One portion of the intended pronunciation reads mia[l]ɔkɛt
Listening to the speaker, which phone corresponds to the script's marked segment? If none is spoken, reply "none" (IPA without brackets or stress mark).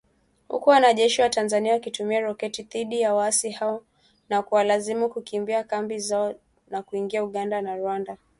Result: ɾ